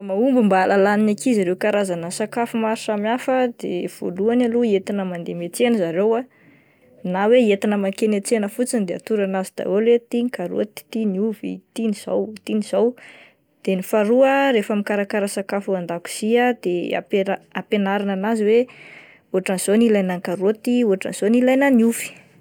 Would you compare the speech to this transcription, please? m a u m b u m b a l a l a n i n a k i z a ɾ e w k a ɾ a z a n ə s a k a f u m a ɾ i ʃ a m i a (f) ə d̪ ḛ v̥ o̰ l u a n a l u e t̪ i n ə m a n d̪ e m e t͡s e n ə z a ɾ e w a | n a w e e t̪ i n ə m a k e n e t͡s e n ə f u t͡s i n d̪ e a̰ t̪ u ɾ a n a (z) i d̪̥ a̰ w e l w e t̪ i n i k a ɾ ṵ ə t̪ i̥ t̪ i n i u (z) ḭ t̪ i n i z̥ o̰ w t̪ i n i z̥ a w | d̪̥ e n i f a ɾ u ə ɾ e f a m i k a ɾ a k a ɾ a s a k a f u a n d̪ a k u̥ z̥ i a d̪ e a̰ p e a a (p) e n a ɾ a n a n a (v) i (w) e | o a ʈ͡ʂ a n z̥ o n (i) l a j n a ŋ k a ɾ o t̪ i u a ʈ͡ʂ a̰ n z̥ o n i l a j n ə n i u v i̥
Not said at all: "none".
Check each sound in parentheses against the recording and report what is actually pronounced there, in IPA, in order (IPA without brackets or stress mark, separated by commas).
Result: f, z, v, p, z, w, i